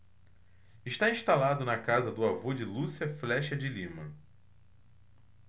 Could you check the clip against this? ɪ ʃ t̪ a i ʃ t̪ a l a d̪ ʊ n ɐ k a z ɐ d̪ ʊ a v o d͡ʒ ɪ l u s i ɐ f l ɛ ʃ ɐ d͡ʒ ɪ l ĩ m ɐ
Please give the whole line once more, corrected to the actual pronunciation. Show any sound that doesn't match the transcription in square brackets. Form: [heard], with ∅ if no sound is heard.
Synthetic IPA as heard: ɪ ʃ t̪ a [ĩ] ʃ t̪ a l a d̪ ʊ n ɐ k a z ɐ d̪ ʊ a v o d͡ʒ ɪ l u s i ɐ f l ɛ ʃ ɐ d͡ʒ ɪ l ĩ m ɐ